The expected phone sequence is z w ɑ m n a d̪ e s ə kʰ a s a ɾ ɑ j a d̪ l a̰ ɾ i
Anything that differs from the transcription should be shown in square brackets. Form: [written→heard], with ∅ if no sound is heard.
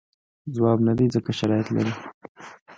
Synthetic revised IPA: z w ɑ [m→b] n a d̪ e [s→z] ə [kʰ→k] a [s→ʃ] a ɾ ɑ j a [d̪→t̪] l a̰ ɾ i